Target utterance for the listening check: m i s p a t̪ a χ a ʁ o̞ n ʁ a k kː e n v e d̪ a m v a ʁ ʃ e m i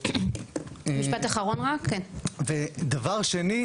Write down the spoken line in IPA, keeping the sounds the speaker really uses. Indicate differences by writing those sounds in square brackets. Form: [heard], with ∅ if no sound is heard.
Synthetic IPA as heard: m i [ʃ] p a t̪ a χ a ʁ o̞ n ʁ a k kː e n v e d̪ a [∅] v a ʁ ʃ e [n] i